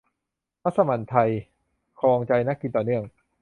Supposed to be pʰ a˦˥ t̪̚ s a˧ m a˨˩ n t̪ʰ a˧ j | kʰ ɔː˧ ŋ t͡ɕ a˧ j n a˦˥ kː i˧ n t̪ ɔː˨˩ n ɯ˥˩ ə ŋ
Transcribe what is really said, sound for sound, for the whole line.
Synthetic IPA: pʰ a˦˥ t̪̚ s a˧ m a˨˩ n t̪ʰ a˧ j | kʰ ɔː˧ ŋ t͡ɕ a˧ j n a˦˥ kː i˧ n t̪ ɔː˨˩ n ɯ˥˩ ə ŋ

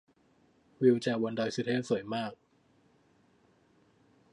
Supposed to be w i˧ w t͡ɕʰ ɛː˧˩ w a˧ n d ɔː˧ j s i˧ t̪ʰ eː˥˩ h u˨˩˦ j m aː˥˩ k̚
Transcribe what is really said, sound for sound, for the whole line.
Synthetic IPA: w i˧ w t͡ɕ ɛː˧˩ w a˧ n d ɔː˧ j s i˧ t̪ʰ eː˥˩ s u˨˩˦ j m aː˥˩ k̚

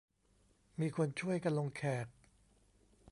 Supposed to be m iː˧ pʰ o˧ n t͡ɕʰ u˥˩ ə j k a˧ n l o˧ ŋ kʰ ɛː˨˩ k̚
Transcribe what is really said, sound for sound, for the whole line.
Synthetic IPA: m iː˧ kʰ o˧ n t͡ɕʰ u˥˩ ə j k a˧ n l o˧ ŋ kʰ ɛː˨˩ k̚

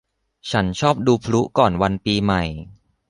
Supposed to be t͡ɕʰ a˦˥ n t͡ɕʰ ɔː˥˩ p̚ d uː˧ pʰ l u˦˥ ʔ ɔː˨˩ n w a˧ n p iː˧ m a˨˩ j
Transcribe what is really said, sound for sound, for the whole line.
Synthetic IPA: t͡ɕʰ a˦˥ n t͡ɕʰ ɔː˥˩ p̚ d uː˧ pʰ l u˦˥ k ɔː˨˩ n w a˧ n p iː˧ m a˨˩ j

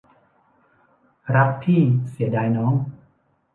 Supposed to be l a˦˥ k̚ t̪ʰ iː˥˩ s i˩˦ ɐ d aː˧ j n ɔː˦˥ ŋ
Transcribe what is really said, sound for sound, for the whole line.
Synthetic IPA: ɾ a˦˥ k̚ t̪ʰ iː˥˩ s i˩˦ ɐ d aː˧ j n ɔː˦˥ ŋ

